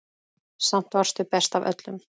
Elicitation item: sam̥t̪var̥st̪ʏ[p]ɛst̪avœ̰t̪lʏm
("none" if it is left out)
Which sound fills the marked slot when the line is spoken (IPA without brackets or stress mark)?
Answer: p